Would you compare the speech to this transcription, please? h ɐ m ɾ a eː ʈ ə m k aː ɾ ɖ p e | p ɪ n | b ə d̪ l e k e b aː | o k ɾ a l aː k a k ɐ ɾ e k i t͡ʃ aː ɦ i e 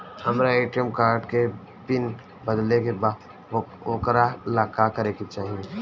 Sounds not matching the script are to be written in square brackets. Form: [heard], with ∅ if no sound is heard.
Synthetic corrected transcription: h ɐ m ɾ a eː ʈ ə m k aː ɾ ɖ [k] e | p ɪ n | b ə d̪ l e k e b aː | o k ɾ a l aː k a k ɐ ɾ e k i t͡ʃ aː ɦ i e